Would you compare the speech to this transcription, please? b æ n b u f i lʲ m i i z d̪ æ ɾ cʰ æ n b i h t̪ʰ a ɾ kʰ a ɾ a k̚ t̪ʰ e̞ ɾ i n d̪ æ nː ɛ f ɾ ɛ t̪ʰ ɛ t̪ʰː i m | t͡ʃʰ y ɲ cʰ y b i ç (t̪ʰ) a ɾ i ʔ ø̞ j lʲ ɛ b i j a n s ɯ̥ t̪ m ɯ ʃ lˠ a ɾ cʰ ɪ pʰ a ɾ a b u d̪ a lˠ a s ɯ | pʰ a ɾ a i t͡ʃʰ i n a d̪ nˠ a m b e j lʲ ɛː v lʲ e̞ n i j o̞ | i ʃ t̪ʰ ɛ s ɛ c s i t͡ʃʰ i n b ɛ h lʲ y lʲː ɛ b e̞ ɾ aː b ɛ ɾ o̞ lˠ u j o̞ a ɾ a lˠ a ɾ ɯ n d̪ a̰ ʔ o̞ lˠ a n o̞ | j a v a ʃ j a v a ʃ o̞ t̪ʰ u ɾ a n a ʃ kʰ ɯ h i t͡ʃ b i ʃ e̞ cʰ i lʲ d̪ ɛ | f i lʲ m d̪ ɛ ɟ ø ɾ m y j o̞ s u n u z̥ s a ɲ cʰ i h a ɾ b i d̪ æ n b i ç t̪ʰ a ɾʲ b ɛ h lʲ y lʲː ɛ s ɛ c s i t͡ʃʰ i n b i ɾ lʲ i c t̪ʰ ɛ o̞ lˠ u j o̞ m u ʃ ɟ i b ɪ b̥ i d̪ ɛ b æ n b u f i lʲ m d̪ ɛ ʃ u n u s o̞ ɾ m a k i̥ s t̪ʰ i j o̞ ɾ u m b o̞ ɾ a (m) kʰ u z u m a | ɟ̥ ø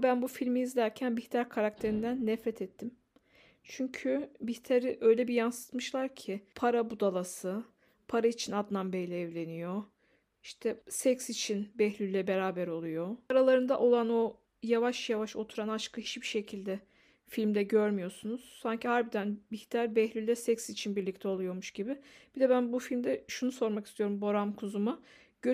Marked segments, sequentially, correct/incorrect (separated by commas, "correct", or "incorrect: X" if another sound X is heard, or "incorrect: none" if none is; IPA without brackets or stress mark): correct, correct